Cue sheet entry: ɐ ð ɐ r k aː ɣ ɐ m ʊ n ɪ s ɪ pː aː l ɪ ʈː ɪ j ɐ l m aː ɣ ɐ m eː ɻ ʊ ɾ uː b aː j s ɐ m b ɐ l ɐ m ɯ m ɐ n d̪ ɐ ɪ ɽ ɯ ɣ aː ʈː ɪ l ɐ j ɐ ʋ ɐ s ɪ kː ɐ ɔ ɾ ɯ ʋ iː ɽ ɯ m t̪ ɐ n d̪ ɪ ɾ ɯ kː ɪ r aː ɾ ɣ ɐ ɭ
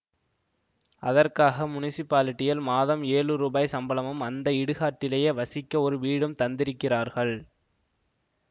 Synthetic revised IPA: ɐ ð ɐ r k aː ɣ ɐ m ʊ n ɪ s ɪ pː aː l ɪ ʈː ɪ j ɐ l m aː ð ɐ m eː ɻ ɯ ɾ uː b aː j s ɐ m b ɐ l ɐ m ɯ m ɐ n d̪ ɐ ɪ ɽ ɯ ɣ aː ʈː ɪ l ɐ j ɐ ʋ ɐ s ɪ kː ɐ ɔ ɾ ɯ ʋ iː ɽ ɯ m t̪ ɐ n d̪ ɪ ɾ ɯ kː ɪ r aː ɾ ɣ ɐ ɭ